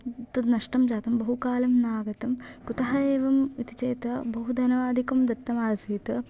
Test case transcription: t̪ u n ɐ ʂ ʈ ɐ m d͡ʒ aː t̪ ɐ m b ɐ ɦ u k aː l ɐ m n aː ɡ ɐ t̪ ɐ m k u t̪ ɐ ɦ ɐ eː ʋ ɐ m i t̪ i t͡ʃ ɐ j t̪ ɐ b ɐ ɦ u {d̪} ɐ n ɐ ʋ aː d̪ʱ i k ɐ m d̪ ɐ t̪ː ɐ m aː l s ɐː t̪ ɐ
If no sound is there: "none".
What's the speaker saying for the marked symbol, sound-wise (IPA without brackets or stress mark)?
d̪